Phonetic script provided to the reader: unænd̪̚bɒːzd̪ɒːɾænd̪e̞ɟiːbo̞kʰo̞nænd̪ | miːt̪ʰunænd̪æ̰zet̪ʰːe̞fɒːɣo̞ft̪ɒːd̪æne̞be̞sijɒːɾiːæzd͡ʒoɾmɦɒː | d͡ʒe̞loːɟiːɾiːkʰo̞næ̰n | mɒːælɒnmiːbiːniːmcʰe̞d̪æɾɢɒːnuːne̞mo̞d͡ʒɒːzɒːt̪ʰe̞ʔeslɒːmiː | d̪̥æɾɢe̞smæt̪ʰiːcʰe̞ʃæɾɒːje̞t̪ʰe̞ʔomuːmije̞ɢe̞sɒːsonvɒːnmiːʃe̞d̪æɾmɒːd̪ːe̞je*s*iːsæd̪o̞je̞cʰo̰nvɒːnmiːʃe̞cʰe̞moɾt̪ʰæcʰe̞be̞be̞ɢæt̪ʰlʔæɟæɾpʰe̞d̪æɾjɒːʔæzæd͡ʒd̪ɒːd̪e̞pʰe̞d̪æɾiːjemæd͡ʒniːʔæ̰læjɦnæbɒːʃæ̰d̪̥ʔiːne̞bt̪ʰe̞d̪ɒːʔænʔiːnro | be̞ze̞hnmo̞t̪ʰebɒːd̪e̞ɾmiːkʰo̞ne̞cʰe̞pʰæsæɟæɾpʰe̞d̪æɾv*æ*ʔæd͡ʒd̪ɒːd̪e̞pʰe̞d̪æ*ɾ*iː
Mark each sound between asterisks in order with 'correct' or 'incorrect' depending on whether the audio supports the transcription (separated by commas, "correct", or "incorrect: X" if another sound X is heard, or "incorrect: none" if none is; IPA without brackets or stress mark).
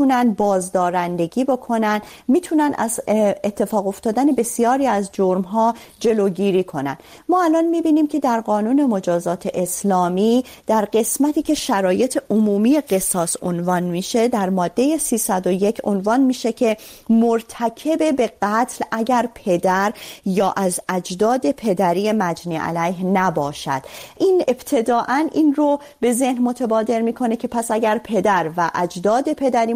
correct, correct, correct